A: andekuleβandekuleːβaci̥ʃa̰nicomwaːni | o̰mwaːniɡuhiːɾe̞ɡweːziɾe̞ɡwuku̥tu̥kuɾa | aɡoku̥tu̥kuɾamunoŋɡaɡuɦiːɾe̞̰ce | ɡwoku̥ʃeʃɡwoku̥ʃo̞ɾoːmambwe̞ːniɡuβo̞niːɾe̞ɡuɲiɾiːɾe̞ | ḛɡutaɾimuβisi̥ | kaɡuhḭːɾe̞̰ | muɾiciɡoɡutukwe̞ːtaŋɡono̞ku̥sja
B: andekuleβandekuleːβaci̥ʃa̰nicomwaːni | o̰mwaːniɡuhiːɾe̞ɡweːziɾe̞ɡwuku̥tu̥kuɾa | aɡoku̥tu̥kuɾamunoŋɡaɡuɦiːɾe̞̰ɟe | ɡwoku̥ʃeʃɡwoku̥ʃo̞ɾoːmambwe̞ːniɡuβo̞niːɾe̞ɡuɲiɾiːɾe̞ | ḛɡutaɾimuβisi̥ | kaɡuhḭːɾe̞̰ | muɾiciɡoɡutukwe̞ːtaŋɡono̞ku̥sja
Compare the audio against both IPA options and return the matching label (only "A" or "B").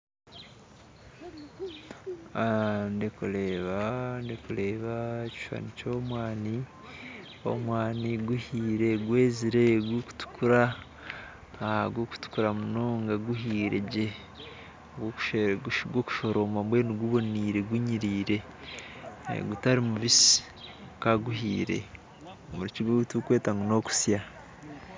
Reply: B